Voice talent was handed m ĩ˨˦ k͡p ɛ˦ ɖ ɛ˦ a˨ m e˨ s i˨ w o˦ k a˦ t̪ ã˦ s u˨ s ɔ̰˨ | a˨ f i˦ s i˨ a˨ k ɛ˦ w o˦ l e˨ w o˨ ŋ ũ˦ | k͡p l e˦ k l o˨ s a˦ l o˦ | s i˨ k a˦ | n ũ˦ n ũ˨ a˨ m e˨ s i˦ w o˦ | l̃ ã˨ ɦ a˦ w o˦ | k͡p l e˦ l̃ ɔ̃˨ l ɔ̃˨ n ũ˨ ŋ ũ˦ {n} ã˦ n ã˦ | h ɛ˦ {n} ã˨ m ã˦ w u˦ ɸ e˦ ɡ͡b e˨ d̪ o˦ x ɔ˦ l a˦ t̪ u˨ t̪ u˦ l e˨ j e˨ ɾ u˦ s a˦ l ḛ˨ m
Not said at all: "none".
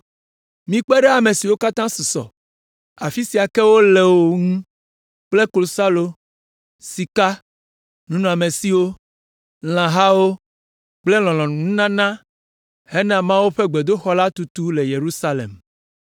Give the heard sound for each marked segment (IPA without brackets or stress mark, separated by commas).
n, n